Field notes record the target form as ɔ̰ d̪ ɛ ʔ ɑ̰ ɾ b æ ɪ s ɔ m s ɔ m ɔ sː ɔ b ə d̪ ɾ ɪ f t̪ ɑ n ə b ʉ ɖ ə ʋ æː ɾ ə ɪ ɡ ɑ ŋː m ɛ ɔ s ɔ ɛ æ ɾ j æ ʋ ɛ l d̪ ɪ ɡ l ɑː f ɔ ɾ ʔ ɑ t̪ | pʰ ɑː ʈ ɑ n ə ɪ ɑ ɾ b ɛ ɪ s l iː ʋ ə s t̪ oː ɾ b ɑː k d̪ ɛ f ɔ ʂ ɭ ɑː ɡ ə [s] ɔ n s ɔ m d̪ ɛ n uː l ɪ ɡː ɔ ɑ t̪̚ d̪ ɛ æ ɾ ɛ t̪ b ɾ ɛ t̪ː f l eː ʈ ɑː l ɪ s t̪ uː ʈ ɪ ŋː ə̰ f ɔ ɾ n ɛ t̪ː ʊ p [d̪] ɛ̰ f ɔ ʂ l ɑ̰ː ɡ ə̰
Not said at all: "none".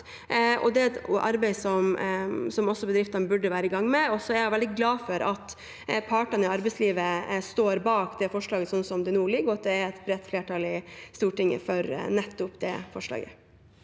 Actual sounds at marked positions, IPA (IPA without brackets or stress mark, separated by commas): s, d̪